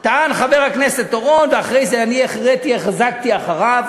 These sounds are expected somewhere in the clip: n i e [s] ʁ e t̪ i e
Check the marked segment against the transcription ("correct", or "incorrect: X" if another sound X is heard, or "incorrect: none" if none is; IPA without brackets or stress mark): incorrect: χ